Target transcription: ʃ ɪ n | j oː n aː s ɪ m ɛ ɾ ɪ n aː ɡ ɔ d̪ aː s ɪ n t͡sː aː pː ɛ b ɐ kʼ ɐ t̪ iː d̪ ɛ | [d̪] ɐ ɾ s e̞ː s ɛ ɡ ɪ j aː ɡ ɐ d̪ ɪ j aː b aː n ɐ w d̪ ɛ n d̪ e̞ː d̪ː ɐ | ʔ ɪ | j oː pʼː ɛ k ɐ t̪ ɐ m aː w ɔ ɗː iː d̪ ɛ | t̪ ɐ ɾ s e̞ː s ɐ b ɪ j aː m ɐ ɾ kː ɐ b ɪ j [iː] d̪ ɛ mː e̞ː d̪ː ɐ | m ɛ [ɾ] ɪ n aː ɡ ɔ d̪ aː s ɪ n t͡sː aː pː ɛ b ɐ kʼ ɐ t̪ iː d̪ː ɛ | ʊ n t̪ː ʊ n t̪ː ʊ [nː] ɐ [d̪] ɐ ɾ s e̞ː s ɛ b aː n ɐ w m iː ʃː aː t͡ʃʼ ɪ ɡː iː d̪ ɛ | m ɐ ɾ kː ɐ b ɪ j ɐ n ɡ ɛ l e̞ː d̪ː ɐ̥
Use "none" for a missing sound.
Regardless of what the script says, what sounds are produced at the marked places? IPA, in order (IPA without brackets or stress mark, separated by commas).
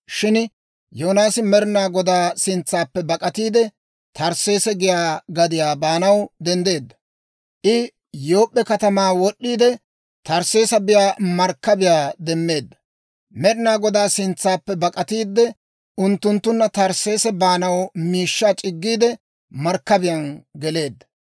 t̪, aː, ɾ, nː, t̪